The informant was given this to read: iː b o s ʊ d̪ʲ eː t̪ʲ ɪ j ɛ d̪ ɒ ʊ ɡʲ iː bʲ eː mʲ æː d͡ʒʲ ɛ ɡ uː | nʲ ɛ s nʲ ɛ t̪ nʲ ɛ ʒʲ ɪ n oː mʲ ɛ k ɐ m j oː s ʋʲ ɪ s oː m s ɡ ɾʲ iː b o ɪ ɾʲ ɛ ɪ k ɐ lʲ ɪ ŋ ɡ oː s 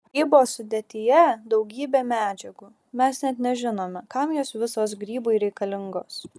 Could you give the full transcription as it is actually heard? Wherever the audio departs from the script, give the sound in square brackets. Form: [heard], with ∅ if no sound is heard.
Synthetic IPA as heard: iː b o s ʊ d̪ʲ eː t̪ʲ ɪ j ɛ d̪ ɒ ʊ ɡʲ iː bʲ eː mʲ æː d͡ʒʲ ɛ ɡ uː | [mʲ] ɛ s nʲ ɛ t̪ nʲ ɛ ʒʲ ɪ n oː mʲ ɛ k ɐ m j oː s ʋʲ ɪ s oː [∅] s ɡ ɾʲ iː b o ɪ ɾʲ ɛ ɪ k ɐ lʲ ɪ ŋ ɡ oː s